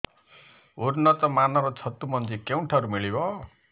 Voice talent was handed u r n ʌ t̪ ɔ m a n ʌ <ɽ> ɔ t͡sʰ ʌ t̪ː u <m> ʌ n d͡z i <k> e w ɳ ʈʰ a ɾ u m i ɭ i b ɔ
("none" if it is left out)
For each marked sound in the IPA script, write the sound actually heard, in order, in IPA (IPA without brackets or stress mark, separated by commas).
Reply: ɾ, m, k